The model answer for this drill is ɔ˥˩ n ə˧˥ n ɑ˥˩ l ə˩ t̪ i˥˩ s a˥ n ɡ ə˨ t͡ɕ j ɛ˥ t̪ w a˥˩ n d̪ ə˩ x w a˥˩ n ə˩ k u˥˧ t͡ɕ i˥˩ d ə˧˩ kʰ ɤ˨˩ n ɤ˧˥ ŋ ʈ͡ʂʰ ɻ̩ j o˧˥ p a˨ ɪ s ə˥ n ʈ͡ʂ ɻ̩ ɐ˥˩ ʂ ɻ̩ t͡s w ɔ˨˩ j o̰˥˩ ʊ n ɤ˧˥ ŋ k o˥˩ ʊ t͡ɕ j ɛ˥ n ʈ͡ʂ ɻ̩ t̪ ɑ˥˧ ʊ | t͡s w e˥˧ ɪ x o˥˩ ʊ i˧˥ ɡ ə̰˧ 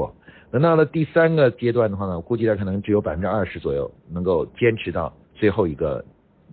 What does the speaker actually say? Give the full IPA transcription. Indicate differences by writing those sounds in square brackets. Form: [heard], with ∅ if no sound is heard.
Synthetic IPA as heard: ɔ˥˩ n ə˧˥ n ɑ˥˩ l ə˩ t̪ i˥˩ s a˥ n ɡ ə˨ t͡ɕ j ɛ˥ t̪ w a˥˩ n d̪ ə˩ x w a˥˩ n ə˩ k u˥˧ t͡ɕ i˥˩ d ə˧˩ kʰ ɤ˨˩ n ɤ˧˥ ŋ [ʈ͡ʂ] ɻ̩ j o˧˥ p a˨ ɪ [f] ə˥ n ʈ͡ʂ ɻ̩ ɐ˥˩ ʂ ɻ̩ t͡s w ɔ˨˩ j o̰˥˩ ʊ n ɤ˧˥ ŋ k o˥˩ ʊ t͡ɕ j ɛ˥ n [ʈ͡ʂʰ] ɻ̩ t̪ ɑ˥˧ ʊ | t͡s w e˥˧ ɪ x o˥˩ ʊ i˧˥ ɡ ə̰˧